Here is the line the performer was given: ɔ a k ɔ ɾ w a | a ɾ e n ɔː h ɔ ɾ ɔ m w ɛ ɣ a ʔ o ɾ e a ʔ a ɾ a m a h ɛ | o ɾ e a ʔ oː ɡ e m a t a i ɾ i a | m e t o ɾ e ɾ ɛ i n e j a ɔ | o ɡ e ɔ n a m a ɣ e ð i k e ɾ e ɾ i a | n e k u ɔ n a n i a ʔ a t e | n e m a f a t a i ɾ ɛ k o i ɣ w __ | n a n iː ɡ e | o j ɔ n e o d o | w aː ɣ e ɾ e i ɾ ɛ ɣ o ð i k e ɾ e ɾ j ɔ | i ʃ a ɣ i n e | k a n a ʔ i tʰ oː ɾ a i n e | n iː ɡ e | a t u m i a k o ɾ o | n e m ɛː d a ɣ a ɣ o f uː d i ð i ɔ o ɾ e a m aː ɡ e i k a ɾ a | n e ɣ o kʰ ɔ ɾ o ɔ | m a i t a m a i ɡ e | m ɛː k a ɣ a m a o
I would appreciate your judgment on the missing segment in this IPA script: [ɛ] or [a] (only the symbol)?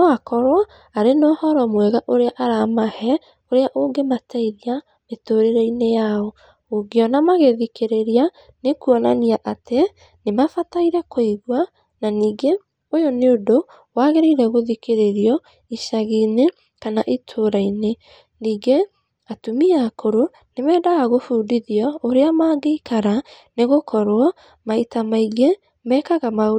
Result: a